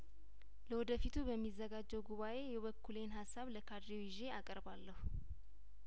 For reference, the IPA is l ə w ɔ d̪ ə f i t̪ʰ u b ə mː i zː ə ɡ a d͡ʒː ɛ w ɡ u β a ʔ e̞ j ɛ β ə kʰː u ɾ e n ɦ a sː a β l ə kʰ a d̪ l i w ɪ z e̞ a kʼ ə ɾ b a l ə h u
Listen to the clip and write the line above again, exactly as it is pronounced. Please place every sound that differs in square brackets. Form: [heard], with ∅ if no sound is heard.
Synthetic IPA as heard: l ə w ɔ d̪ ə f i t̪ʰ u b ə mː i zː ə ɡ a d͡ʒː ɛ w ɡ u β a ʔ e̞ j ɛ β ə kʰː u [l] e n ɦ a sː a β l ə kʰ a d̪ [ɾ] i w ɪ [ʒ] e̞ a kʼ ə ɾ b a [lː] ə h u